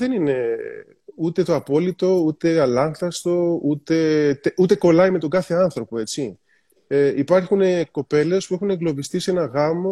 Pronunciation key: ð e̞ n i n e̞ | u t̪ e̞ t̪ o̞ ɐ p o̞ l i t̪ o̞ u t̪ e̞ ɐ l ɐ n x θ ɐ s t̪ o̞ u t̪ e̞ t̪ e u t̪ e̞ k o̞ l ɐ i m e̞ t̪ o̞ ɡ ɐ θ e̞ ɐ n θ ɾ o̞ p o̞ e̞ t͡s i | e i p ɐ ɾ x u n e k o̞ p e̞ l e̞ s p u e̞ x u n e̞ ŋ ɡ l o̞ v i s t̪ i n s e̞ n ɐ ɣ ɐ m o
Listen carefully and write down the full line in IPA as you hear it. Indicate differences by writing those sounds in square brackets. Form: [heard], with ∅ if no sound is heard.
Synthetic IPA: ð e̞ n i n e̞ | u t̪ e̞ t̪ o̞ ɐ p o̞ l i t̪ o̞ u t̪ e̞ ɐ l ɐ [ŋ] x θ ɐ s t̪ o̞ u t̪ e̞ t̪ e u t̪ e̞ k o̞ l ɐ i m e̞ t̪ o̞ ɡ ɐ θ e̞ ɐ n θ ɾ o̞ p o̞ e̞ t͡s i | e i p ɐ ɾ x u n e k o̞ p e̞ l e̞ s p u e̞ x u n e̞ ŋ ɡ l o̞ v i s t̪ i [∅] s e̞ n ɐ ɣ ɐ m o